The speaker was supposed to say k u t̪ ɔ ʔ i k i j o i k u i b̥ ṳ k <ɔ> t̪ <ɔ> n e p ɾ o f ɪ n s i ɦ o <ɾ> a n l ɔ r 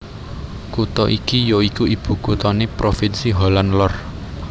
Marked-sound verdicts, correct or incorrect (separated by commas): incorrect, correct, incorrect